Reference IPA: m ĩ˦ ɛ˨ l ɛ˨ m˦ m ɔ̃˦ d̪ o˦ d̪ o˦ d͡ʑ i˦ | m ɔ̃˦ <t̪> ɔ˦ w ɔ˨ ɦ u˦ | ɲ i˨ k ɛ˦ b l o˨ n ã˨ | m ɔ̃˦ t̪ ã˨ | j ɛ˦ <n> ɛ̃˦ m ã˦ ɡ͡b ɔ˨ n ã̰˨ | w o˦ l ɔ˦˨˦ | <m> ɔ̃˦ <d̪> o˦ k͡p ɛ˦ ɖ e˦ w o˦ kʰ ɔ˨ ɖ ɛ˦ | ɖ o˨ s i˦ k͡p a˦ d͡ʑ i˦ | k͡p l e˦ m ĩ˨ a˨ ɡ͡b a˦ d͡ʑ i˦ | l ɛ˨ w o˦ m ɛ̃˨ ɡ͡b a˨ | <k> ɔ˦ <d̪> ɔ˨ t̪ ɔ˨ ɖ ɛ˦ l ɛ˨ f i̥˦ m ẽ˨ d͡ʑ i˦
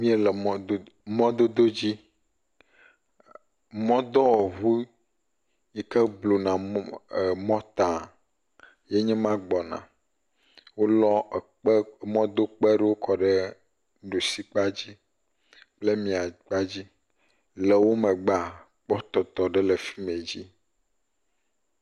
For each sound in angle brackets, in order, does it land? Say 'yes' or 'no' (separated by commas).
no, no, yes, yes, no, no